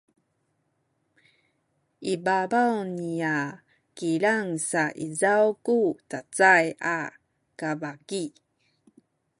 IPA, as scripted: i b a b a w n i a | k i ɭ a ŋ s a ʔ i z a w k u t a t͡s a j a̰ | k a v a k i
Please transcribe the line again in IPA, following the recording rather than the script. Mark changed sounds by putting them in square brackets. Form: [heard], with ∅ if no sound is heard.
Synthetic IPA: i b a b a w n i a | k i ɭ a ŋ s a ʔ i z a w k u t a t͡s a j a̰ | k a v a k i